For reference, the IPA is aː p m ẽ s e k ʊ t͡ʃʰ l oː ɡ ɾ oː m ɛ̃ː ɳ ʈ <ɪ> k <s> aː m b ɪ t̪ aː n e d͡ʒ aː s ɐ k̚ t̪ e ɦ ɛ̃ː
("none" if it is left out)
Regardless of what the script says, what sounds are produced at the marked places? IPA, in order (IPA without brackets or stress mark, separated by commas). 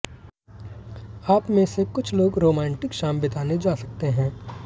ɪ, ʃ